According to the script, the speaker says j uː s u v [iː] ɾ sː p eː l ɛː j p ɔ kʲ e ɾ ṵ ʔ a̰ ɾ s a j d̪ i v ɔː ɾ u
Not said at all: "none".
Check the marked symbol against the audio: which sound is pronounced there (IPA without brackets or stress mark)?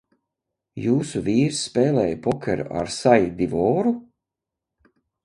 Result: iː